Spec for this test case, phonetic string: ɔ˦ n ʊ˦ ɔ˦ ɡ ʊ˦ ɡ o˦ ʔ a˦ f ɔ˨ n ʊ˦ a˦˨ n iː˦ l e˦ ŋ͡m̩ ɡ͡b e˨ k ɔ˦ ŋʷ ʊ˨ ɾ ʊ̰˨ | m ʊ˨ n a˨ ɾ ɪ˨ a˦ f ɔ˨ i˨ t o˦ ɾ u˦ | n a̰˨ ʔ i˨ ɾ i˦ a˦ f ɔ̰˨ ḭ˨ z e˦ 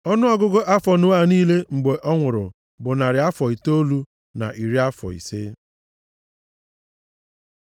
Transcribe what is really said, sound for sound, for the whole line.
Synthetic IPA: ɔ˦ n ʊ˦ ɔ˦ ɡ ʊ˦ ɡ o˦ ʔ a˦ f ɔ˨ n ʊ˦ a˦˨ n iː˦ l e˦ ŋ͡m̩ ɡ͡b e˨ ʔ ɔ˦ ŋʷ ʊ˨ ɾ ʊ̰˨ | b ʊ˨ n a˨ ɾ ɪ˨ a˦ f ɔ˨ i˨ t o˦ l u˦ | n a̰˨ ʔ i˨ ɾ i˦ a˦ f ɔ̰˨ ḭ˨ s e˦